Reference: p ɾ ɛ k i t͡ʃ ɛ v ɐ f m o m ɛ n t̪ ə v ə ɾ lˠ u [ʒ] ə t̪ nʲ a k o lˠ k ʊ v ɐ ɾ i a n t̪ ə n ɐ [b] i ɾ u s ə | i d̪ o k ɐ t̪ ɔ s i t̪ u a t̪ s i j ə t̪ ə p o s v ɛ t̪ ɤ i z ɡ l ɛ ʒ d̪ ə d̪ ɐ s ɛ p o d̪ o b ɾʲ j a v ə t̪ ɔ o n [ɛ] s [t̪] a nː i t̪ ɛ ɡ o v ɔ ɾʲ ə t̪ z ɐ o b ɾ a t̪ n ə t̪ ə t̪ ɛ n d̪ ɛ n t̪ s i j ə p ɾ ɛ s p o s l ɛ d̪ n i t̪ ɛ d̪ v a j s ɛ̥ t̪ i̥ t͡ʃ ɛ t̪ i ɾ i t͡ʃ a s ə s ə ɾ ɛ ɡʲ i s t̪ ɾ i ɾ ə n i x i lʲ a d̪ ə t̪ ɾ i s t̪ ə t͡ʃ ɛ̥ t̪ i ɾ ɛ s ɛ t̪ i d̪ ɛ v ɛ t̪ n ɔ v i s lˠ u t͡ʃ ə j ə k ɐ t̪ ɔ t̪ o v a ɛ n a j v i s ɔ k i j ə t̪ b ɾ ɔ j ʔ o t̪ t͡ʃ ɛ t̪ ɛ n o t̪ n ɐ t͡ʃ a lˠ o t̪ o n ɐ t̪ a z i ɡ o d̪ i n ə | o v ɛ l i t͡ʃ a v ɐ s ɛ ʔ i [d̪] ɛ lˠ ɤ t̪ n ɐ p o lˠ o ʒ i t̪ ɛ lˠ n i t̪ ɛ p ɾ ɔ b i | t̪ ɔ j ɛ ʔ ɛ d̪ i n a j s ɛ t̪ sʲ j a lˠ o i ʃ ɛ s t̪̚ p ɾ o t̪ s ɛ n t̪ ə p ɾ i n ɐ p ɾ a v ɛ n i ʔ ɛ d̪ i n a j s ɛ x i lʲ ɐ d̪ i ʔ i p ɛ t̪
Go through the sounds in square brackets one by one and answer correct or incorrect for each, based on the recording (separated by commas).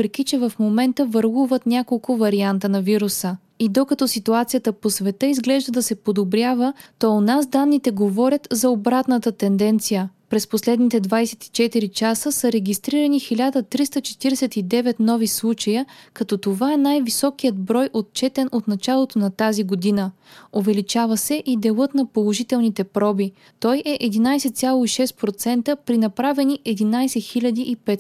incorrect, incorrect, incorrect, incorrect, correct